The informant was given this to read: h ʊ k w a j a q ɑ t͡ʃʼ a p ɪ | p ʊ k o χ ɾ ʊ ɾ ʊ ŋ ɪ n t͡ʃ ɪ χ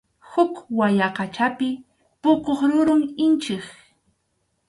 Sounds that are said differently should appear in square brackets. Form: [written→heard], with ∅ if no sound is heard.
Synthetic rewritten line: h ʊ k w a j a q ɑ [t͡ʃʼ→t͡ʃ] a p ɪ | p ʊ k o χ ɾ ʊ ɾ ʊ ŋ ɪ n t͡ʃ ɪ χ